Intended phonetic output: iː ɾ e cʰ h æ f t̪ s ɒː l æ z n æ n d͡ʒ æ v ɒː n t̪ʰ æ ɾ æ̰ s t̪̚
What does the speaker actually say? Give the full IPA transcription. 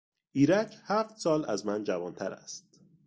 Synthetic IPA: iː ɾ æ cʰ h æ f t̪ s ɒː l æ z m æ n d͡ʒ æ v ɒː n t̪ʰ æ ɾ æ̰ s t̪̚